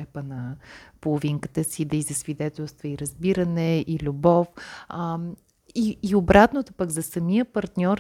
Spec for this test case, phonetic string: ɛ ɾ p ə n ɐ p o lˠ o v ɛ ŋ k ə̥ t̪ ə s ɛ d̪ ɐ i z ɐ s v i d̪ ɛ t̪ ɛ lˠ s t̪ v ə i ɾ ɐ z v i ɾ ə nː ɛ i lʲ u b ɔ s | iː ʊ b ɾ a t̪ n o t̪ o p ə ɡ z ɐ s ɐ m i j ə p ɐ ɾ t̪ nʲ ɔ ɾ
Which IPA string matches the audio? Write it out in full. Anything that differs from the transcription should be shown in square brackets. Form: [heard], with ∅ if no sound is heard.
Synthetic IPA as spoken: ɛ [∅] p ə n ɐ p o lˠ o v [i] ŋ k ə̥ t̪ ə s [i] d̪ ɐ i z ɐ s v i d̪ ɛ t̪ ɛ lˠ s t̪ v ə i ɾ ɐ z [b] i ɾ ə [n] ɛ i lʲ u b ɔ [f] | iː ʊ b ɾ a t̪ n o t̪ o p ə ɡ z ɐ s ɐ m i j ə p ɐ ɾ t̪ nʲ ɔ ɾ